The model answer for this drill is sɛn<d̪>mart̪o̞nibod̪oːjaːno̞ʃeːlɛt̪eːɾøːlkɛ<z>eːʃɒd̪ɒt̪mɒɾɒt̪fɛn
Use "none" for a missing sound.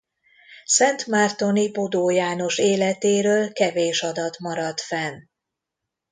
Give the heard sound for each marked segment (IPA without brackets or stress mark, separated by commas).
t̪, v